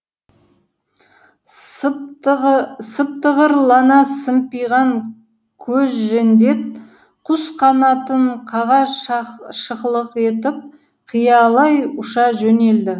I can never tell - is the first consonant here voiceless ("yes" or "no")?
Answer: yes